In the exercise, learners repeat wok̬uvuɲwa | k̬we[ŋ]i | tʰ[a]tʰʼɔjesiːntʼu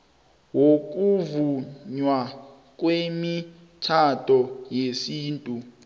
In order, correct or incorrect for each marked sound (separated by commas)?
incorrect, correct